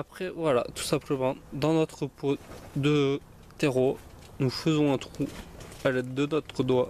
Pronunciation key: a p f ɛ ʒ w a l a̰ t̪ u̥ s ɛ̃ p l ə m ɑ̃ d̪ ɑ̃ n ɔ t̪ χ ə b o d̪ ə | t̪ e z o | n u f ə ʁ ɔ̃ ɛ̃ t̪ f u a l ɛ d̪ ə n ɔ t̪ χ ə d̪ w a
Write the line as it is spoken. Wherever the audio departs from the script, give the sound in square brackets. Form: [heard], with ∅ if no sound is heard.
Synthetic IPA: a p [χ] ɛ [v] w a l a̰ t̪ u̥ s ɛ̃ p l ə m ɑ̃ d̪ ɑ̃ n ɔ t̪ χ ə [p] o d̪ ə | t̪ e [ʁ] o | n u f ə [z] ɔ̃ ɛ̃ t̪ [χ] u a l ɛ d̪ ə n ɔ t̪ χ ə d̪ w a